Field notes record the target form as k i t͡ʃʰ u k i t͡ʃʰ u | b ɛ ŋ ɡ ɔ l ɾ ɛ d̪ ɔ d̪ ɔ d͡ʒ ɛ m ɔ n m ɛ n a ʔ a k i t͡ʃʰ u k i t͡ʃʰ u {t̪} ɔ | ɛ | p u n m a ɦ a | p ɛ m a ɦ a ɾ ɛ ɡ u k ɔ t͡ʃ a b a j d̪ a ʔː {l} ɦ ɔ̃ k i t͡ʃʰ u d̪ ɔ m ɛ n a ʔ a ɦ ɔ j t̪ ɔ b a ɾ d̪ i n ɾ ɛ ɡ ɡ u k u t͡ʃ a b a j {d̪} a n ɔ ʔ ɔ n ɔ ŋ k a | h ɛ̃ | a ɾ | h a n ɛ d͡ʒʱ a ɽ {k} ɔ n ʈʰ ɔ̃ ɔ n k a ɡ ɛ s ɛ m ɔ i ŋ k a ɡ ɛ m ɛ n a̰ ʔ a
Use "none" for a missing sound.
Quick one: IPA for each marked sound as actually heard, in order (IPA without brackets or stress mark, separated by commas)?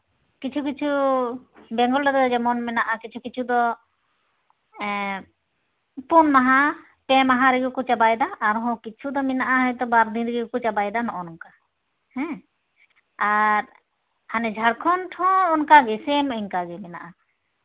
d̪, ɾ, d̪, kʰ